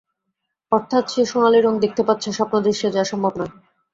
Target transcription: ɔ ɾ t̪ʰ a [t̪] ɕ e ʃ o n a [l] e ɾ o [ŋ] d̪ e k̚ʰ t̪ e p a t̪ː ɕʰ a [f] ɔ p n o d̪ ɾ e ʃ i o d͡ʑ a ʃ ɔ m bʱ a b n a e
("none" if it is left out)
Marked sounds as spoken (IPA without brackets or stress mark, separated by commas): t̪, l, ŋ, ʃ